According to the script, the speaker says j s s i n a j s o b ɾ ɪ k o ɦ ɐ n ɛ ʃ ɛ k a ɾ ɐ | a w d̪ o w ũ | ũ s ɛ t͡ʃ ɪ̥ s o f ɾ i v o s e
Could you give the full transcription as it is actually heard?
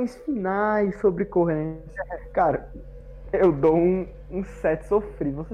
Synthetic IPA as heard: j s f i n a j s o b ɾ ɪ k o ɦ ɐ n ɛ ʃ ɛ k a ɾ ɐ | e w d̪ o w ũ | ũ s ɛ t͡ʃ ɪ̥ s o f ɾ i v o s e